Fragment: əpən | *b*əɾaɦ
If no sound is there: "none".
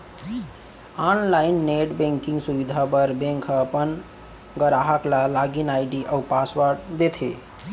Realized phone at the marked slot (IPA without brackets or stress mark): ɡ